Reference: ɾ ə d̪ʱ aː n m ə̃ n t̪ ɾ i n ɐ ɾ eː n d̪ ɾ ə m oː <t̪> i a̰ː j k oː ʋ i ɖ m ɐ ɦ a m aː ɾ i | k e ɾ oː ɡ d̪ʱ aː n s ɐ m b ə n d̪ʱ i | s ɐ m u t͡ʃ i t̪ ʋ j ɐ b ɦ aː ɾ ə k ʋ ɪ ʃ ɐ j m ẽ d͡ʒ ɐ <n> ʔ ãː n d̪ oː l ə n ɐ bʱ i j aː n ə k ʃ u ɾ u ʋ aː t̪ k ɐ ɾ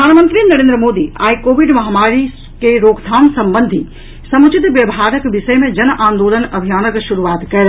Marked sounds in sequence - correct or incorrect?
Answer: incorrect, correct

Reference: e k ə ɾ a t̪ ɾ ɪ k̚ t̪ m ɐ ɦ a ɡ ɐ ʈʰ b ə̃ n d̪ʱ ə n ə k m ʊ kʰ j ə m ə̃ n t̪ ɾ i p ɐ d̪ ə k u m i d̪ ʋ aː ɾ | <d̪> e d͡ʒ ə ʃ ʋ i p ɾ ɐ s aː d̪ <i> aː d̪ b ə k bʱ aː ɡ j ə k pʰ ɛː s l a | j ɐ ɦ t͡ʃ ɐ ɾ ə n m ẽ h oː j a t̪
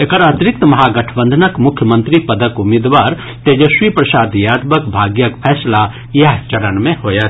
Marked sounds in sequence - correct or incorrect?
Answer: incorrect, incorrect

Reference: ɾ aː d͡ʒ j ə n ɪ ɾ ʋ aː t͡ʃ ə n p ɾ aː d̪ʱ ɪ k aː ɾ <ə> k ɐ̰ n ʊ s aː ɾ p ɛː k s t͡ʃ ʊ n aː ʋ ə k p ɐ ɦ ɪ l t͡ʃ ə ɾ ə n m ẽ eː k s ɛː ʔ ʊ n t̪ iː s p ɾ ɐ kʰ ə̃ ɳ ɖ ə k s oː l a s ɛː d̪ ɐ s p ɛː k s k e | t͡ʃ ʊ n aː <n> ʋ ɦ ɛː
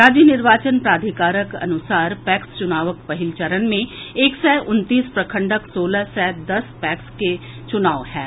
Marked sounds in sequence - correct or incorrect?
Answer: correct, incorrect

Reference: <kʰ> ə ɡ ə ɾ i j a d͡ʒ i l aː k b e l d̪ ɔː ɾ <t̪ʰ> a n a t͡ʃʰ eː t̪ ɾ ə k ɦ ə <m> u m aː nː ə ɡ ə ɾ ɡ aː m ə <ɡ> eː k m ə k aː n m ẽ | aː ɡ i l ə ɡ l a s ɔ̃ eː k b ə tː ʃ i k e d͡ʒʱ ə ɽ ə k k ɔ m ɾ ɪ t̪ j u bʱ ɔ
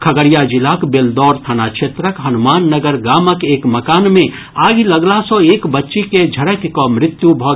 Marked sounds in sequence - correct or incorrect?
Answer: correct, correct, incorrect, incorrect

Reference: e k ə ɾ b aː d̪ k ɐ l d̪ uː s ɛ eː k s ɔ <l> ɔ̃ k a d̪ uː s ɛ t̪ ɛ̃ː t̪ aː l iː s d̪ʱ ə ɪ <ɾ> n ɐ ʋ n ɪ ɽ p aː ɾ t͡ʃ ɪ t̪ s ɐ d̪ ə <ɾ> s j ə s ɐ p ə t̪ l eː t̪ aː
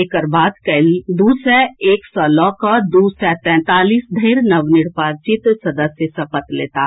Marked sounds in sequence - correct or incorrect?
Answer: correct, correct, incorrect

